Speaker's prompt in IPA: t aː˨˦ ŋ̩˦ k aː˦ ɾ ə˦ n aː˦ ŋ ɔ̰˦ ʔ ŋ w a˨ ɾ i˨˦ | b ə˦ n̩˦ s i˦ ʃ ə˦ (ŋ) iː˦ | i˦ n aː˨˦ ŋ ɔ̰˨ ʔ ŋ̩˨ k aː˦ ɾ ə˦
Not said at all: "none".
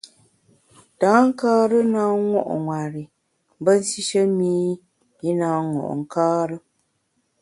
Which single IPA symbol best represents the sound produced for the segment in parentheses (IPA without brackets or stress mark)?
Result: m